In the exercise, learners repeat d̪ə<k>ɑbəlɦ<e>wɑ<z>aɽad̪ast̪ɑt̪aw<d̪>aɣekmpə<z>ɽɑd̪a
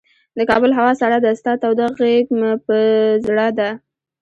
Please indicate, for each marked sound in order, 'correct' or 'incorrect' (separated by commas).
correct, incorrect, incorrect, correct, correct